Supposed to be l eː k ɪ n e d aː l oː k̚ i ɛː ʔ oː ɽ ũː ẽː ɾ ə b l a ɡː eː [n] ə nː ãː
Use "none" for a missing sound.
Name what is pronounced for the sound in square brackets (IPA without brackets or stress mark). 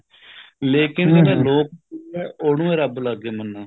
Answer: m